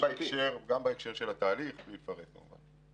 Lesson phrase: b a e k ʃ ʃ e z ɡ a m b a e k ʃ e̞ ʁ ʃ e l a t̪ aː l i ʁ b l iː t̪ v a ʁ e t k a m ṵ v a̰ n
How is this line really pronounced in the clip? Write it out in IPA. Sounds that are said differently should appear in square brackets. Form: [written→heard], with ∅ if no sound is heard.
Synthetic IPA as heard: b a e k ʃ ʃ e [z→ʁ] ɡ a m b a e k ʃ e̞ ʁ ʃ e l a t̪ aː l i [ʁ→χ] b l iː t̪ [v→f] a ʁ e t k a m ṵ v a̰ n